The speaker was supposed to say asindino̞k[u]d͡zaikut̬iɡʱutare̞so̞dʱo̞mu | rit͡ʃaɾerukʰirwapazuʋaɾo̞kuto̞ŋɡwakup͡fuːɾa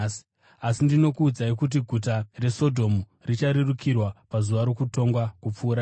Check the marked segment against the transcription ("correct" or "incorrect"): incorrect